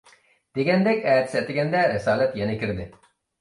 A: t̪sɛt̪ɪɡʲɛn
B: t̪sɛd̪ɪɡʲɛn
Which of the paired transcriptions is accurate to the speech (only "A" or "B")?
A